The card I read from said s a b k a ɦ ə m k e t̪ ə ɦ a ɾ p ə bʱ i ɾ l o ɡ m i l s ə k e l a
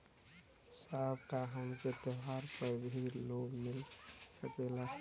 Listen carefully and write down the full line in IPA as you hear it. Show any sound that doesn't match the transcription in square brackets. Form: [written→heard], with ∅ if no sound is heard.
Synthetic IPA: s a b k a ɦ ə m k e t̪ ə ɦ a ɾ p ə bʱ i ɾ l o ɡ m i l s ə k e l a